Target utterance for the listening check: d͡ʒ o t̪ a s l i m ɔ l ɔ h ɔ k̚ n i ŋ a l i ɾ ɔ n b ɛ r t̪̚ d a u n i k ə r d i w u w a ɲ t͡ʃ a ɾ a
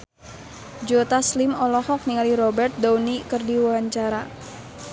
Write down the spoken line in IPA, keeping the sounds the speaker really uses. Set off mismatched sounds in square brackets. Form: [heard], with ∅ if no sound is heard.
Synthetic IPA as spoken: d͡ʒ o t̪ a s l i m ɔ l ɔ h ɔ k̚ n i ŋ a l i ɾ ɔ [∅] b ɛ r t̪̚ d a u n i k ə r d i w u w a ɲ t͡ʃ a ɾ a